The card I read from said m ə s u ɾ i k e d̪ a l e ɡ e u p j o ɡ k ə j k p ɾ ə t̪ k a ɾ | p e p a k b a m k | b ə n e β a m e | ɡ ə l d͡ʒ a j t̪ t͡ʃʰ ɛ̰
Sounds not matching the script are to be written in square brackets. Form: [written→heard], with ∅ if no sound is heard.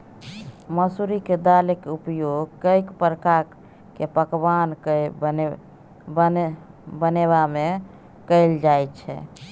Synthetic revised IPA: m ə s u ɾ i k e d̪ a l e [ɡ→k] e u p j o ɡ k ə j k p ɾ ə [t̪→∅] k a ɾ | [p→k] e p [a→ə] k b a [m→n] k | b ə n e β a m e | [ɡ→k] ə l d͡ʒ a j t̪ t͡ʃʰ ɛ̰